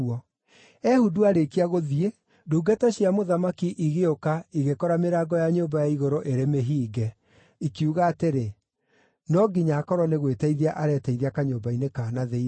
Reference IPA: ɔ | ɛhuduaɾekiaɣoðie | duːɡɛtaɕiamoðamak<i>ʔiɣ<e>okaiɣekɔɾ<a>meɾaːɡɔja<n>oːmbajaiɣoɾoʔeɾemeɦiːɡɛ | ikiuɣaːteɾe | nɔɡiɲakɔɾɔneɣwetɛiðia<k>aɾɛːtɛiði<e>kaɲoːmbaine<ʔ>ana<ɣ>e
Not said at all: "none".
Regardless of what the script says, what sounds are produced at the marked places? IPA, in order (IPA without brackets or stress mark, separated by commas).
i, e, a, ɲ, ʔ, a, k, ð